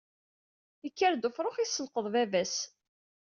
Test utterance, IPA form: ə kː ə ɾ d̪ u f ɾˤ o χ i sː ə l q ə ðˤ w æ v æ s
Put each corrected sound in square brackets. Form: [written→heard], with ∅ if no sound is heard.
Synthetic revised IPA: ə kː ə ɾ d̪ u f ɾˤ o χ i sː ə l q ə ðˤ [w→v] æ v æ s

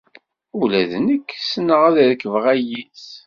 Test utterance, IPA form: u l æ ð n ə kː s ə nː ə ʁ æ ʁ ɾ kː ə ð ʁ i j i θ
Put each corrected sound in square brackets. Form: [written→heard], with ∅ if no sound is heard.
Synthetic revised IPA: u l æ ð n ə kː s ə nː ə ʁ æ [ʁ→ð] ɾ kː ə [ð→v] ʁ [i→æ] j i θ

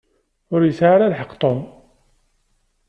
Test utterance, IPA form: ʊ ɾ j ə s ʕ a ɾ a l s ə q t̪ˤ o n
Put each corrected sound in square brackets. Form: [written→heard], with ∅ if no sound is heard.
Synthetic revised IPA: ʊ ɾ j ə s ʕ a ɾ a l [s→ħ] ə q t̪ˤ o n

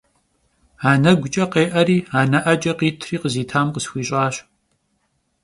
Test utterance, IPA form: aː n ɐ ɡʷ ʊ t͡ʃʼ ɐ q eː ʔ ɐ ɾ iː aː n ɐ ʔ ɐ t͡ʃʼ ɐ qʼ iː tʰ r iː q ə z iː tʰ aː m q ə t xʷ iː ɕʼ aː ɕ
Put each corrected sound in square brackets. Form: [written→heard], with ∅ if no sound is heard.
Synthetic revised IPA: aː n ɐ ɡʷ ʊ t͡ʃʼ ɐ q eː ʔ ɐ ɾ iː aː n ɐ ʔ ɐ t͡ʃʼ ɐ [qʼ→q] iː tʰ r iː q ə z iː tʰ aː m q ə [t→s] xʷ iː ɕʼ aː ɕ

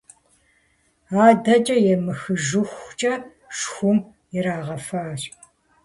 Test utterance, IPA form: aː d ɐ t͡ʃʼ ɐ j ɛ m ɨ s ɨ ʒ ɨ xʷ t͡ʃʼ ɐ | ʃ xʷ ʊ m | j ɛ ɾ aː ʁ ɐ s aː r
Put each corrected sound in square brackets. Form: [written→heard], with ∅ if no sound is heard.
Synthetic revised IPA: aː d ɐ t͡ʃʼ ɐ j ɛ m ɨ [s→x] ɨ ʒ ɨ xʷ t͡ʃʼ ɐ | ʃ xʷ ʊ m | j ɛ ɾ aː ʁ ɐ [s→f] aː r

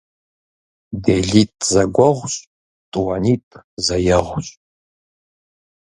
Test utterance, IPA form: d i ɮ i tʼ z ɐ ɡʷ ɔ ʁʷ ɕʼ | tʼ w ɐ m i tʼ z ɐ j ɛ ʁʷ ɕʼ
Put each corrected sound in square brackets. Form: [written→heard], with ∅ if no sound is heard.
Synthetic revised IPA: d [i→e] ɮ i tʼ z ɐ ɡʷ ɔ ʁʷ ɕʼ | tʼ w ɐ [m→n] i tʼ z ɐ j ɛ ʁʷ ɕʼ

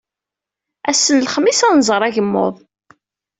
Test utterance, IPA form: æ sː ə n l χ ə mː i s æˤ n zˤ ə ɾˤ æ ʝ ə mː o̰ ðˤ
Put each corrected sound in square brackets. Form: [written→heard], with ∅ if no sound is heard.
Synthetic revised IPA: æ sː ə n l χ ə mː i s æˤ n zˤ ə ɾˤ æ ʝ ə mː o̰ ðˤ

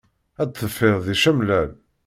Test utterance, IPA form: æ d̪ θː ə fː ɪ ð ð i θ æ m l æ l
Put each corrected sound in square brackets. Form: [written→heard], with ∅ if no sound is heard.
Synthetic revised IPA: æ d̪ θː ə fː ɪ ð ð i [θ→ʃ] æ m l æ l

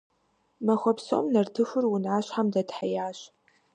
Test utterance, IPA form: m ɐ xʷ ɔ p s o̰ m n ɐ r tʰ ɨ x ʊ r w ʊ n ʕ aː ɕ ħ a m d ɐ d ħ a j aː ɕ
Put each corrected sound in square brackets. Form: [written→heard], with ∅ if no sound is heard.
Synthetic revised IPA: m ɐ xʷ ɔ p s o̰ m n ɐ r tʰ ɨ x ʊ r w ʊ n ʕ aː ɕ ħ a m d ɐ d ħ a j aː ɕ

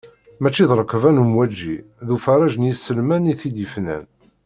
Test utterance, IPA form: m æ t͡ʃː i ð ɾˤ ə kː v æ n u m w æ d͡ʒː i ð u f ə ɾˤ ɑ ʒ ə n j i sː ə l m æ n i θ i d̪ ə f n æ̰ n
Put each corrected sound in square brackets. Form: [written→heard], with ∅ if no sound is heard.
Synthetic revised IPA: m æ t͡ʃː i ð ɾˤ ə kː v æ n u m w æ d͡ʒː i ð u f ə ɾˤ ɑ ʒ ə n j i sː ə l m æ n i θ i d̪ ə f n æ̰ n

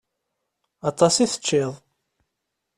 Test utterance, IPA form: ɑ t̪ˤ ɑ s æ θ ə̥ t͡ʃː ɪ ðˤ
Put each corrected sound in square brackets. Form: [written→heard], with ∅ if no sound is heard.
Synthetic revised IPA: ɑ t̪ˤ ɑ s [æ→i] θ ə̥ t͡ʃː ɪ ðˤ

